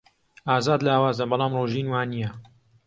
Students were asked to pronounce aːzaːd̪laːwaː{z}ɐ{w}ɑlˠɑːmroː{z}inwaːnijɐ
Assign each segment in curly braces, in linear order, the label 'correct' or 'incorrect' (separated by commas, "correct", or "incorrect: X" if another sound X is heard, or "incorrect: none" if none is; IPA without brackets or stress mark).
correct, incorrect: b, incorrect: ʒ